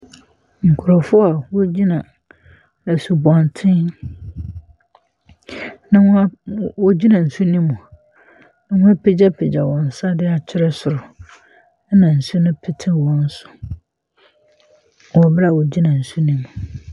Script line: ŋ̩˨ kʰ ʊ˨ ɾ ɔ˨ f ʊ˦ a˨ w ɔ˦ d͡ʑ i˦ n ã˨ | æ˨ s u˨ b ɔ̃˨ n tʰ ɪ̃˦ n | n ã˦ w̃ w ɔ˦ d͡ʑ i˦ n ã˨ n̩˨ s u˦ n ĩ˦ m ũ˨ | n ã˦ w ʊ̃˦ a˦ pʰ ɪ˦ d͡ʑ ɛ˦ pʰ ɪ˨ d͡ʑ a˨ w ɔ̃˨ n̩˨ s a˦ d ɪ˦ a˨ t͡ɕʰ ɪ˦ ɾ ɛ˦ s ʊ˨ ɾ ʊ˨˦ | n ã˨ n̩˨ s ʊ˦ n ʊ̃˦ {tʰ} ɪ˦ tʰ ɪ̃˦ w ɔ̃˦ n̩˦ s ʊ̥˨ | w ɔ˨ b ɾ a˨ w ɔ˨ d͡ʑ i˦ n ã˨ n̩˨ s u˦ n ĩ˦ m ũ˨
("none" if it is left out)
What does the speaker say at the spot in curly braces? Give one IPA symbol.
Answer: pʰ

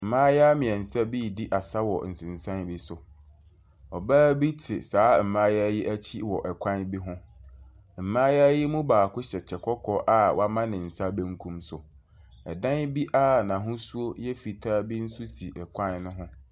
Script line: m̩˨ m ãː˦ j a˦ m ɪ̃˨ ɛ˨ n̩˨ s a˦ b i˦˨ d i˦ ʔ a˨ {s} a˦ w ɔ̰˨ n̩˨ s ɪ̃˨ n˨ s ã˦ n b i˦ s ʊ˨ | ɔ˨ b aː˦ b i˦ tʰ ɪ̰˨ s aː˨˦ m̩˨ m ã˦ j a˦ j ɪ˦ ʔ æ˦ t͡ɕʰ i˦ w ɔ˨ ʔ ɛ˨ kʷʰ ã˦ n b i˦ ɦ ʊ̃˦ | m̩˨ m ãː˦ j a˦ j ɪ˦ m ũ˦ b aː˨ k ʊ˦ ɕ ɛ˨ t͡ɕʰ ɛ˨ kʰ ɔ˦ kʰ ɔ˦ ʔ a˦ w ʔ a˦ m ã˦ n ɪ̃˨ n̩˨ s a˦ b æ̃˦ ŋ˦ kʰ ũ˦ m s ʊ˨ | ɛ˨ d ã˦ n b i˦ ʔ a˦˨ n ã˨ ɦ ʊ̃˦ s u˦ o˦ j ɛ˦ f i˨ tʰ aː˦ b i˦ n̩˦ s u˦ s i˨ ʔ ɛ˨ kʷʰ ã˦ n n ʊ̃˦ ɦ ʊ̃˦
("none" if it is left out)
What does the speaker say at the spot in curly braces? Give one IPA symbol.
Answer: s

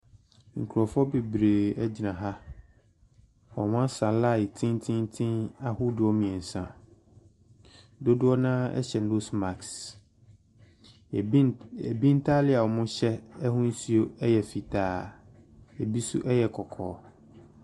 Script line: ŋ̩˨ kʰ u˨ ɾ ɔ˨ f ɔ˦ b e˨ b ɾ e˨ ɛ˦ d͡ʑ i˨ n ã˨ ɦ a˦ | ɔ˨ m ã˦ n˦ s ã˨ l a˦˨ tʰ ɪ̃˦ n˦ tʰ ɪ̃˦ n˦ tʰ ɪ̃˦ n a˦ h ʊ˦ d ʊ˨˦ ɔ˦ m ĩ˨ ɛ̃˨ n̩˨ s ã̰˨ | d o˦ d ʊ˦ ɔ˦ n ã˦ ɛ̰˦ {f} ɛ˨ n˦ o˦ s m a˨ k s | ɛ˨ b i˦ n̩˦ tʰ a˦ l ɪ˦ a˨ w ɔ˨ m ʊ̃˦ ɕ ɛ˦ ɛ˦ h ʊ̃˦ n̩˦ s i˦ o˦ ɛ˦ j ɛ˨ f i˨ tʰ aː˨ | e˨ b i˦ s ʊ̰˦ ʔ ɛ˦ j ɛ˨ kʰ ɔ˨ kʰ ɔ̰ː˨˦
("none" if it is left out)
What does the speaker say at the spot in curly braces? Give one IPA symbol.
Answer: ɕ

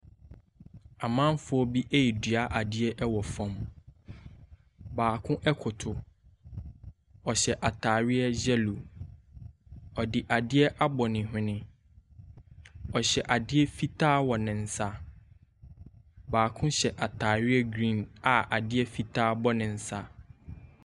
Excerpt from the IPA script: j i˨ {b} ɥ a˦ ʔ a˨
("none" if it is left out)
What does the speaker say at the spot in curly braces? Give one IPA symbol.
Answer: d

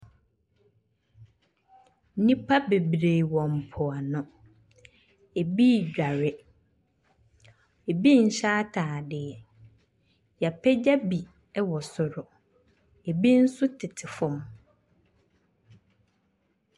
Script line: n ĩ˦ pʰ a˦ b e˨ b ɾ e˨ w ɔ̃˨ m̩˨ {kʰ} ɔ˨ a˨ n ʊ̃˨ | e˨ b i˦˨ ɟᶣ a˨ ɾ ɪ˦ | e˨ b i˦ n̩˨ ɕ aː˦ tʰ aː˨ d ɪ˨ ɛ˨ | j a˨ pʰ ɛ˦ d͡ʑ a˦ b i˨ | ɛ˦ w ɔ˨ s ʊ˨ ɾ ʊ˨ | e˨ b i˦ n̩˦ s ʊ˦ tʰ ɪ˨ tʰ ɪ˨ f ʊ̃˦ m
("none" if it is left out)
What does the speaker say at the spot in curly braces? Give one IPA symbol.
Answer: pʰ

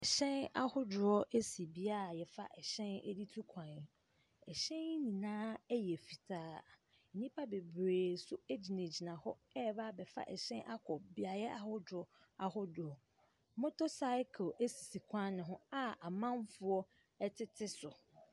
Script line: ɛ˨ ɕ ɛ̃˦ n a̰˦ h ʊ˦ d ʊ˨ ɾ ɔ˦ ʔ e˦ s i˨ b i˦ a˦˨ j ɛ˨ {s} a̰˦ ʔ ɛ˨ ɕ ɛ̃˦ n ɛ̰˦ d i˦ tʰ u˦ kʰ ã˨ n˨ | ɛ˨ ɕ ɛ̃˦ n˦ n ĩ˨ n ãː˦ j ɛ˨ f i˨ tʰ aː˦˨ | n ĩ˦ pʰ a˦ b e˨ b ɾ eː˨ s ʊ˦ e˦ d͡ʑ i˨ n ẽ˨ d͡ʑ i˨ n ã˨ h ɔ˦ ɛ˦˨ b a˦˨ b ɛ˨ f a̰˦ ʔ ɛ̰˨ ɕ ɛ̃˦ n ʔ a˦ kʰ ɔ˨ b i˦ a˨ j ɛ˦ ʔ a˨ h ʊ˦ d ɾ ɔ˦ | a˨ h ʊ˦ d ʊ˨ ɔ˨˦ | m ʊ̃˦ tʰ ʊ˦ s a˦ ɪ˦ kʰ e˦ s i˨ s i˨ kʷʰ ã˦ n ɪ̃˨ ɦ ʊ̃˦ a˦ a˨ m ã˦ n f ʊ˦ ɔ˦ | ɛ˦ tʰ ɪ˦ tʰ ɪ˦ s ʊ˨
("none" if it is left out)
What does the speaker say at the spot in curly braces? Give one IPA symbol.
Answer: f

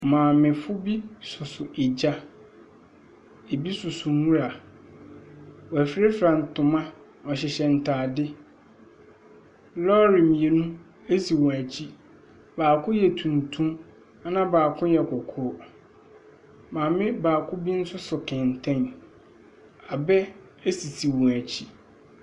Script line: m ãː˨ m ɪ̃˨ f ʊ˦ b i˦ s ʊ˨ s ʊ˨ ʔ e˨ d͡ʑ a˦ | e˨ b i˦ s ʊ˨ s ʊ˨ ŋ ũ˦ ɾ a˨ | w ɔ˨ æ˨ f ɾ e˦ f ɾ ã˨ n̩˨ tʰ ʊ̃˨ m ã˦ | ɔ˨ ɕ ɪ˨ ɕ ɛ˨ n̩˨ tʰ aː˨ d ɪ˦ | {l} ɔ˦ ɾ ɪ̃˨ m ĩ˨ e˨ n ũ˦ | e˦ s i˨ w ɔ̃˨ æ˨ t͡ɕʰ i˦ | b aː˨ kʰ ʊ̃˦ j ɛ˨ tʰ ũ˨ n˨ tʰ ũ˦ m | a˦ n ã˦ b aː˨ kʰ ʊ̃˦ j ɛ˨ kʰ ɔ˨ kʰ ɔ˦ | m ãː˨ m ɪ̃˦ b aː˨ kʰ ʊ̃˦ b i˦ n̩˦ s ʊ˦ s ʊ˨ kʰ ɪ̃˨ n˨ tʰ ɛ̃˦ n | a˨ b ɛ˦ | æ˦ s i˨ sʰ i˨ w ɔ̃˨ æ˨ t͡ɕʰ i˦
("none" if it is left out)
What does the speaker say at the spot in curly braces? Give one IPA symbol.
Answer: l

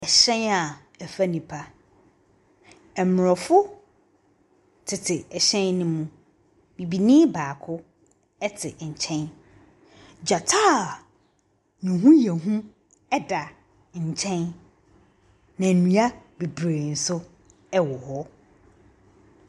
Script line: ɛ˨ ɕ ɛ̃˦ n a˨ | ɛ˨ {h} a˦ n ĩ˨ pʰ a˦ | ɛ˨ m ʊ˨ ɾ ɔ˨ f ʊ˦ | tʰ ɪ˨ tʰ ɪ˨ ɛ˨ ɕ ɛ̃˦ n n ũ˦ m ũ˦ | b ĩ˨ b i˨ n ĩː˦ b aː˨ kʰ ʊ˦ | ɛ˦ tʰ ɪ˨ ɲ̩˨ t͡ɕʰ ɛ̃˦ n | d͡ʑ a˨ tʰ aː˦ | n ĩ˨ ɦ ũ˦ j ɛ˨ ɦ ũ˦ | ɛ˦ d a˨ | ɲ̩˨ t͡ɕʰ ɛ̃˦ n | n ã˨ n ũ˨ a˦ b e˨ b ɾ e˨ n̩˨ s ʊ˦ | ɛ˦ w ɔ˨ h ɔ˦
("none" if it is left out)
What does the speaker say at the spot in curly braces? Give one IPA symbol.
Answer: f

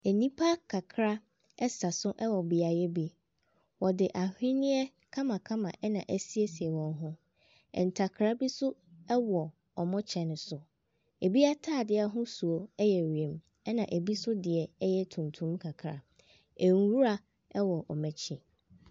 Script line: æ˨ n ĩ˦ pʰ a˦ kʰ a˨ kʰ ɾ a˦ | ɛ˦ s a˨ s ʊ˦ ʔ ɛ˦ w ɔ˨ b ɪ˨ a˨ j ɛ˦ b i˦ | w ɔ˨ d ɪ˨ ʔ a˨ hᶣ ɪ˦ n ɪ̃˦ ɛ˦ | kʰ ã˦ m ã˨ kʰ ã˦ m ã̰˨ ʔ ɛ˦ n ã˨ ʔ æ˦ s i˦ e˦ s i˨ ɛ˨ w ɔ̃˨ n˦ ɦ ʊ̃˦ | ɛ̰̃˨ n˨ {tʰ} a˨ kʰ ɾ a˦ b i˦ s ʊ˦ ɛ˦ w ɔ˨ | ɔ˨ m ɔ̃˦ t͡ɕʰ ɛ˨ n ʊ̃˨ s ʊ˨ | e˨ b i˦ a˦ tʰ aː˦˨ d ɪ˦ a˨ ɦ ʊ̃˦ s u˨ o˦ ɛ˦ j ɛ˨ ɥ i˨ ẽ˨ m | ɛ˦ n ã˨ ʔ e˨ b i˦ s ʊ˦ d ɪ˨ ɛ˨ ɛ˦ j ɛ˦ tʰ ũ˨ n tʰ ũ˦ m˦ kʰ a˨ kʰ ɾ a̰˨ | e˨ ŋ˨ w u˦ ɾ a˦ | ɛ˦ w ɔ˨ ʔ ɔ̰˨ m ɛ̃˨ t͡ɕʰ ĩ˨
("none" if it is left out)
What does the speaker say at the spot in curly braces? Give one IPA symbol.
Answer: tʰ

